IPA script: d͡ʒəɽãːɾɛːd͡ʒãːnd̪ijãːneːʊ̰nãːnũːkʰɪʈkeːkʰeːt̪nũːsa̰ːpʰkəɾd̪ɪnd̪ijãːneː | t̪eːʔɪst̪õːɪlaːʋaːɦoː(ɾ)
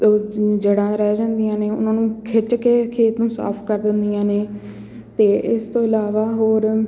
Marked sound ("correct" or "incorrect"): correct